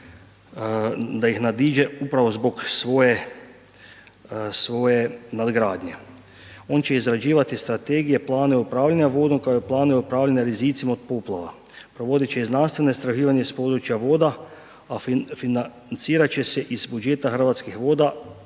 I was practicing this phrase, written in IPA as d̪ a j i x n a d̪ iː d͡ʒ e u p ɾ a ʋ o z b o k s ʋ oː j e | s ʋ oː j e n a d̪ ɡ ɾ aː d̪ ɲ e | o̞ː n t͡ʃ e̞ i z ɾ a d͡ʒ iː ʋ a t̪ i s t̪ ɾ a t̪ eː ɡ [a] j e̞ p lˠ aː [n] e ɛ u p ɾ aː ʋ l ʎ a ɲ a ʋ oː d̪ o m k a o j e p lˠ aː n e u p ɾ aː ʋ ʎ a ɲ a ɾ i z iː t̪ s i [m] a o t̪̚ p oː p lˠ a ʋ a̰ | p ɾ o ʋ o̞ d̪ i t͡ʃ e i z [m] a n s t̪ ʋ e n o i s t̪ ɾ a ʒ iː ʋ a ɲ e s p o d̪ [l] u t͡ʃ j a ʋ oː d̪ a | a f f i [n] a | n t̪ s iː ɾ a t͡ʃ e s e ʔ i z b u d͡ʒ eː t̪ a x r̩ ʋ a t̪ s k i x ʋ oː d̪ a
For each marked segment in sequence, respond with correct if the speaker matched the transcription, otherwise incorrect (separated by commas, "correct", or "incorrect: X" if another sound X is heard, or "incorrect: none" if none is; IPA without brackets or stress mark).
incorrect: i, correct, correct, incorrect: n, incorrect: ɾ, correct